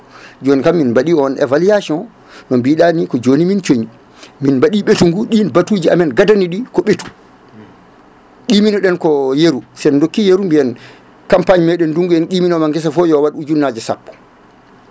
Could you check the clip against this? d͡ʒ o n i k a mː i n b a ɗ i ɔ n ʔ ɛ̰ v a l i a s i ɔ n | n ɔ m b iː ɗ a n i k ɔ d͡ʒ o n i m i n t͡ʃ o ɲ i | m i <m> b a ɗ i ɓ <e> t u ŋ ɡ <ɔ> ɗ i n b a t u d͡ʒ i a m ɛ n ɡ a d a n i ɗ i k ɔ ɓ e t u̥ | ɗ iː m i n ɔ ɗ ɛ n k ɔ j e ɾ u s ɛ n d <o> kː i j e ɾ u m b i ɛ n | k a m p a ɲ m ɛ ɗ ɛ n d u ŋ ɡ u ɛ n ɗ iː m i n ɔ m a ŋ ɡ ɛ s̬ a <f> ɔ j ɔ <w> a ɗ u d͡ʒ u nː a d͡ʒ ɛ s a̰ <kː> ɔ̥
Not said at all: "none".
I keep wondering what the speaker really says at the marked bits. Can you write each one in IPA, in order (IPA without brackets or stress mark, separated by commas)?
n, e, u, o, f, w, pː